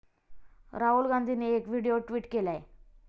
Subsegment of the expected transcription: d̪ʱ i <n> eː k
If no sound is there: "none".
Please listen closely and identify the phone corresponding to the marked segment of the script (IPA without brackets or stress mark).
n